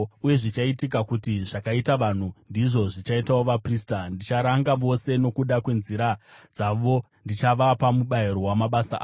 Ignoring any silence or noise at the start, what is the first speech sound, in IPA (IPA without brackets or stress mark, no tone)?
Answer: u